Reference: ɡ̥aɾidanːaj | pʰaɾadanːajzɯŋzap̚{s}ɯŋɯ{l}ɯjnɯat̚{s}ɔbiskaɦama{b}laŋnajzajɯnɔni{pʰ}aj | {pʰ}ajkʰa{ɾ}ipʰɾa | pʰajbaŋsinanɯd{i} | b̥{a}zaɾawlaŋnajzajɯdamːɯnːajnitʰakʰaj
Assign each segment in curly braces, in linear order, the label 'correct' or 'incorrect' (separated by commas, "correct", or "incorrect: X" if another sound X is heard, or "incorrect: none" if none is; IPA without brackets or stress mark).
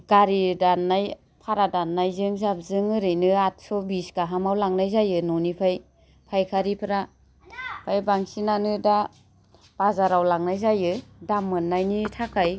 incorrect: z, incorrect: ɾ, correct, incorrect: w, correct, correct, correct, incorrect: a, correct